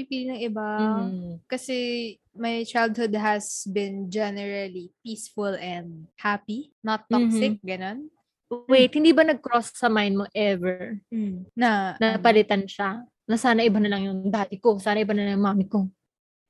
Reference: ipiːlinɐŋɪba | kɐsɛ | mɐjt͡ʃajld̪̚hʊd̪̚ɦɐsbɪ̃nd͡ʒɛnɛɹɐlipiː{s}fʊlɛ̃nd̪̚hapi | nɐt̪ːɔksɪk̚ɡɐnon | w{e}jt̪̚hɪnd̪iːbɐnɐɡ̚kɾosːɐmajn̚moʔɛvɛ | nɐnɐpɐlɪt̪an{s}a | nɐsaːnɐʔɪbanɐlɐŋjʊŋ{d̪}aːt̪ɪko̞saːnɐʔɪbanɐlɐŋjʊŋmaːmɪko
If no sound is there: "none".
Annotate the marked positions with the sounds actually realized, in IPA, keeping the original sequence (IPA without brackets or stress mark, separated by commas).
s, e, ʃ, d̪